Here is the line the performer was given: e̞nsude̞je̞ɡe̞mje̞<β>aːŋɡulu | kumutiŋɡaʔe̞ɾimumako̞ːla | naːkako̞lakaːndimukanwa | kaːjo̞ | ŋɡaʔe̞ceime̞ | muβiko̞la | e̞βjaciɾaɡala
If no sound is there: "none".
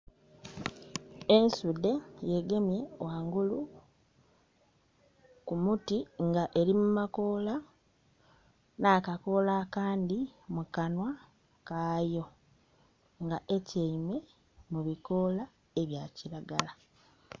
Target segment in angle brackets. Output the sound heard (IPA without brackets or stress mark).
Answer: w